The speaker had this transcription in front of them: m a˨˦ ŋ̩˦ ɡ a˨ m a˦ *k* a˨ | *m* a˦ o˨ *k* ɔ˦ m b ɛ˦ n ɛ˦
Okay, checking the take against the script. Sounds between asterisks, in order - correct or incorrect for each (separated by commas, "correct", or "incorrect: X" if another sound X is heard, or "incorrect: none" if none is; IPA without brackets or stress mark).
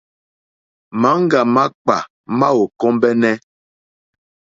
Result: incorrect: k͡p, correct, correct